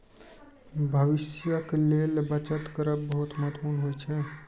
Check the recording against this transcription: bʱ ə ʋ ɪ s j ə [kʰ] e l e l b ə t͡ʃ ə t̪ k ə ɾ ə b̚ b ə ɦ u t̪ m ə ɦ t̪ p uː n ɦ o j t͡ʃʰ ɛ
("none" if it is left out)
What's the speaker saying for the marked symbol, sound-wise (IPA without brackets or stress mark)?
k